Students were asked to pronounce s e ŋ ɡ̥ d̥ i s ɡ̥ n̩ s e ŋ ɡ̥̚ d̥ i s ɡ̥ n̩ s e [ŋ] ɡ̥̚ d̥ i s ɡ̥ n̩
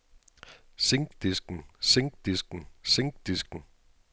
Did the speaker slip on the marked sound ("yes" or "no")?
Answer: no